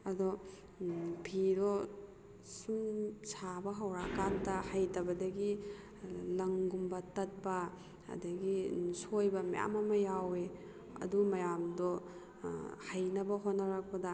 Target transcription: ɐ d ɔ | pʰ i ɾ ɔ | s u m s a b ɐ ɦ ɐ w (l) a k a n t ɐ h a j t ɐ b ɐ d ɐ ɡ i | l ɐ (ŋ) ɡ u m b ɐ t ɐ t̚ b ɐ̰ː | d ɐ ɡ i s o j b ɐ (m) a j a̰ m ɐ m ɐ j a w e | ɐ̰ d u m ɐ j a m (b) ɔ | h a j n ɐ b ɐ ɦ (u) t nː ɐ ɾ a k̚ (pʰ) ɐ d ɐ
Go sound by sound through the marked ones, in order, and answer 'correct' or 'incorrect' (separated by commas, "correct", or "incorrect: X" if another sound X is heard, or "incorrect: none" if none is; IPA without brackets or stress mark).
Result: incorrect: ɾ, correct, correct, incorrect: d, incorrect: o, incorrect: p